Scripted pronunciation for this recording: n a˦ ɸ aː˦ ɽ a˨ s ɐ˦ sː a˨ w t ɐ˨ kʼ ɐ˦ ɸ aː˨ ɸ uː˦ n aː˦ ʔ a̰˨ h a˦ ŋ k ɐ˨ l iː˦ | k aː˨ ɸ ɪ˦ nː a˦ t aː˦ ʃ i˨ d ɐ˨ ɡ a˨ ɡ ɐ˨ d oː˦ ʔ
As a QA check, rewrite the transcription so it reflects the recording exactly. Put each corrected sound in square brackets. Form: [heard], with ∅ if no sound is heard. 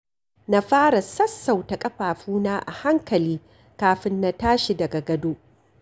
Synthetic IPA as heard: n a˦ ɸ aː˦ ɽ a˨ s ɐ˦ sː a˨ w t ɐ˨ kʼ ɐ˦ ɸ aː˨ ɸ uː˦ n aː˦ ʔ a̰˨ h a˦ ŋ k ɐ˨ l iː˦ | k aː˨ ɸ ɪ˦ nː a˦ t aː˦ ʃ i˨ d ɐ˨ ɡ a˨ ɡ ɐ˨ d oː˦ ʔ